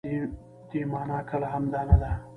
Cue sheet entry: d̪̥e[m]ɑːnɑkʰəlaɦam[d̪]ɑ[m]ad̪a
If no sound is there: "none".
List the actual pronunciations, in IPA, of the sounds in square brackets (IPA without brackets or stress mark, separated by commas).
m, d̪, n